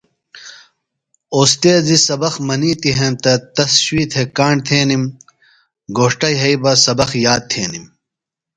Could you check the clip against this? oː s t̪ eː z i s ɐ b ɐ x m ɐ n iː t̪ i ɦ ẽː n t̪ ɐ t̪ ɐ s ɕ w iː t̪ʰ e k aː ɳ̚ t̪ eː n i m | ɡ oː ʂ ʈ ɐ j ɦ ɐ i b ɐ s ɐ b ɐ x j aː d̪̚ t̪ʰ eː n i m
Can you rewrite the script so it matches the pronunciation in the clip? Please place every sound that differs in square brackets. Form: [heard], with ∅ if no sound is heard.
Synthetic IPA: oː s t̪ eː z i s ɐ b ɐ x m ɐ n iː t̪ i ɦ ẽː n t̪ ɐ t̪ ɐ s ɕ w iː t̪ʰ e k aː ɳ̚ [t̪ʰ] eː n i m | ɡ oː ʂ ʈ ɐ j ɦ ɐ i b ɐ s ɐ b ɐ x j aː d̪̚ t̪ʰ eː n i m

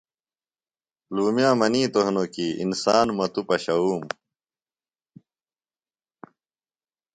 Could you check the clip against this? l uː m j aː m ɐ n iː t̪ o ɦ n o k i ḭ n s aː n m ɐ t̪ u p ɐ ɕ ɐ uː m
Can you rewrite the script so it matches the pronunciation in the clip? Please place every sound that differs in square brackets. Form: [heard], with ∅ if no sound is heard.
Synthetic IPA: l uː m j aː m ɐ n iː t̪ o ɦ n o k i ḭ n s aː n m ɐ t̪ u p ɐ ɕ ɐ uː m

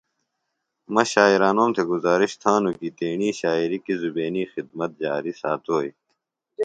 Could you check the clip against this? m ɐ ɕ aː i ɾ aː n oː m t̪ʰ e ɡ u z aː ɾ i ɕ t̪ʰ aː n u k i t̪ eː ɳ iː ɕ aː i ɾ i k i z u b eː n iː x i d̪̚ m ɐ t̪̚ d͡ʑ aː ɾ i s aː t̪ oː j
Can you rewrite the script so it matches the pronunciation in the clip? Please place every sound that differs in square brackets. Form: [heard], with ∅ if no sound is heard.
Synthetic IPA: m ɐ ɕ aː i ɾ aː n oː m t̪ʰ e ɡ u z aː ɾ i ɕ t̪ʰ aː n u k i t̪ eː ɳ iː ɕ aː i ɾ i k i z u b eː n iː x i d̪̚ m ɐ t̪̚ d͡ʑ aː ɾ i s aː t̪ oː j

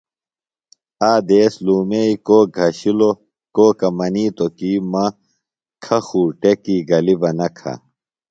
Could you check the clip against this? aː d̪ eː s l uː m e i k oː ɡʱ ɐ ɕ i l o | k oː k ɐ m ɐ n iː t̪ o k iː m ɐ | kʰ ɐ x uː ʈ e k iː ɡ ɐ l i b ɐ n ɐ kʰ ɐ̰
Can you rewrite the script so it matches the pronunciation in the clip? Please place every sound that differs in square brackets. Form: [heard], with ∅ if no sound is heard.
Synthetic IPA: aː d̪ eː s l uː m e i k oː ɡʱ ɐ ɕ i l o | k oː k ɐ m ɐ n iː t̪ o k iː m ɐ | kʰ ɐ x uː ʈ e k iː ɡ ɐ l i b ɐ n ɐ kʰ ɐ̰

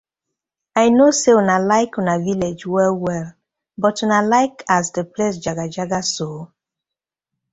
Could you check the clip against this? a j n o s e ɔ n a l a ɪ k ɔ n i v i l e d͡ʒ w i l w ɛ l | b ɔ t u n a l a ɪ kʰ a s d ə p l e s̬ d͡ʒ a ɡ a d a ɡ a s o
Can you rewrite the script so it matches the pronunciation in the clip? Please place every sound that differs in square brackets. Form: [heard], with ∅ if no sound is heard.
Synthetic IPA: a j n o s e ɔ n a l a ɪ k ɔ n [a] v i l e d͡ʒ w [ɛ] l w ɛ l | b ɔ t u n a l a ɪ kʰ a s d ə p l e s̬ d͡ʒ a ɡ a [d͡ʒ] a ɡ a s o

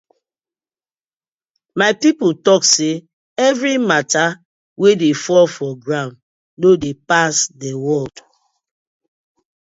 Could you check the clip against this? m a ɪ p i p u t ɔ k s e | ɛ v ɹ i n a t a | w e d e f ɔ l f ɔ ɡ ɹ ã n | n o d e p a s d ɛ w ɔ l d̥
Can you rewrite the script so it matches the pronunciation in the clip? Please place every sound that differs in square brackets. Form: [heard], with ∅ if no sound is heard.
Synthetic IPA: m a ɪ p i p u t ɔ k s e | ɛ v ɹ i [m] a t a | w e d e f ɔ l f ɔ ɡ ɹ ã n | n o d e p a s d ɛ w ɔ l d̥

